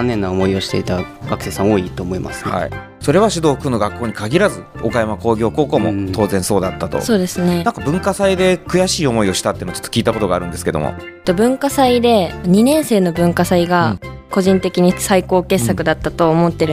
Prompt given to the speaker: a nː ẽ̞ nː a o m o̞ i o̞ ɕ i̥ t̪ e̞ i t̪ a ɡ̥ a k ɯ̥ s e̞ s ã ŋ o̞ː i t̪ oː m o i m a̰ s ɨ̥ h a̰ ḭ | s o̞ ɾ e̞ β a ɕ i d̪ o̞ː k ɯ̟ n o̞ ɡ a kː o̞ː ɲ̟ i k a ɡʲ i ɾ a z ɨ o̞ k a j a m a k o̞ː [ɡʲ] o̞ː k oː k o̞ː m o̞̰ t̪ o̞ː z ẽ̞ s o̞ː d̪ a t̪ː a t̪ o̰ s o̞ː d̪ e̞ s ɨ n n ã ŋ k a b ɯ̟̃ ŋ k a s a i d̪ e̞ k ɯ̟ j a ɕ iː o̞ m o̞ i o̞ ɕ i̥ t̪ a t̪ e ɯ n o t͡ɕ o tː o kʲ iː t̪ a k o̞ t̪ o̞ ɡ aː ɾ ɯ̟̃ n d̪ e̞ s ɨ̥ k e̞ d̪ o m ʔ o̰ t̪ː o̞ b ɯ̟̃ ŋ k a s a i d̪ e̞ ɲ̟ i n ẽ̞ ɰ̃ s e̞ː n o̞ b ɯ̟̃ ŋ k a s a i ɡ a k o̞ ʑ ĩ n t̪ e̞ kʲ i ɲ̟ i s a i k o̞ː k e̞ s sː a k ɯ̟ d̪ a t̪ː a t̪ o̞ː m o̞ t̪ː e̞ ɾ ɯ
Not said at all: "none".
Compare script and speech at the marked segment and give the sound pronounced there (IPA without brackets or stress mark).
ɡʲ